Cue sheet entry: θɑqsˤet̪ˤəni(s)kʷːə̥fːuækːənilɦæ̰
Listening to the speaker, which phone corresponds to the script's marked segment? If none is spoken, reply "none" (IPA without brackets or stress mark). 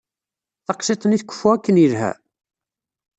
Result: θ